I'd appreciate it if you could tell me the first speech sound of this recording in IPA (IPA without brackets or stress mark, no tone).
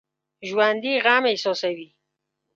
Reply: ʒ